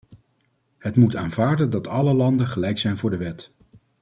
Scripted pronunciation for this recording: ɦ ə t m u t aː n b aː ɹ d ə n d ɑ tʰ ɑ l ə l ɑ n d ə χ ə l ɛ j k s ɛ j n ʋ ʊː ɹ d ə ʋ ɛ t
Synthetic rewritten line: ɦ ə t m u t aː n v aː ɹ d ə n d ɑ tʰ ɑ l ə l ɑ n d ə χ ə l ɛ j k s ɛ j n v ʊː ɹ d ə ʋ ɛ t